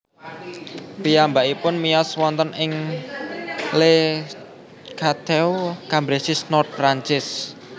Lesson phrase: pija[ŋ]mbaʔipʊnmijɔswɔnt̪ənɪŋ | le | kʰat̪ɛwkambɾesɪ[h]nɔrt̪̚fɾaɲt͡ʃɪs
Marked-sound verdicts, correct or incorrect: incorrect: none, incorrect: s

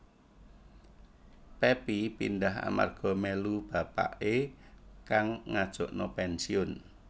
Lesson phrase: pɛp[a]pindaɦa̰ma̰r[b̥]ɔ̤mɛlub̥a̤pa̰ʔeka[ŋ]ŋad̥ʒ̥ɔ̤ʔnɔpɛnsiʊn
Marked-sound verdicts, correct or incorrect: incorrect: i, incorrect: ɡ̥, correct

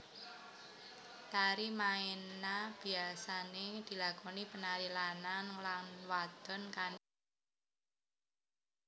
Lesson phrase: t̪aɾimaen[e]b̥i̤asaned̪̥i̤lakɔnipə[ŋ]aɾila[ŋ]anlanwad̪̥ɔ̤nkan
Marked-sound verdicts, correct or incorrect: incorrect: a, incorrect: n, incorrect: n

